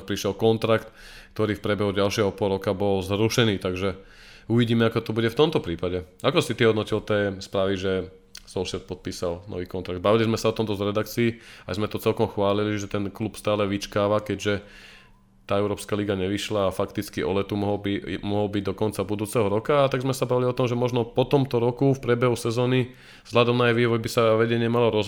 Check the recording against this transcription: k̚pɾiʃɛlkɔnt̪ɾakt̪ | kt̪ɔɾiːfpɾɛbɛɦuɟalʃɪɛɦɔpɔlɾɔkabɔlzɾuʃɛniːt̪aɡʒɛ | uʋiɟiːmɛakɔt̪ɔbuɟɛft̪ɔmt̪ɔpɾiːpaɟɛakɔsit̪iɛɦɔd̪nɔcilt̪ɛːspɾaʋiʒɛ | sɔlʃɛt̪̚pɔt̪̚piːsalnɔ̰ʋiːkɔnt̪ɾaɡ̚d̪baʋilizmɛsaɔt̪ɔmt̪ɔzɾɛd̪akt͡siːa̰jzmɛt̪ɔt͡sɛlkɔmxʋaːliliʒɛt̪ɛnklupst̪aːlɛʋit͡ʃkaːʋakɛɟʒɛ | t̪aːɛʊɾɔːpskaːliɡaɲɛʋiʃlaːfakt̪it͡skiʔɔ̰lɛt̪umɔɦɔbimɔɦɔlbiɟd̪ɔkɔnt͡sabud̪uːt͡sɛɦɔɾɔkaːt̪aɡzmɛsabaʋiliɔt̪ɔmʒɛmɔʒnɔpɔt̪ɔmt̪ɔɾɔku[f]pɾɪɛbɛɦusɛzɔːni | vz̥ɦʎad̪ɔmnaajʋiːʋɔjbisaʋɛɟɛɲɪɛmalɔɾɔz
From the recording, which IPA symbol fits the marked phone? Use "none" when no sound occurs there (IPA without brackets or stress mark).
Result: f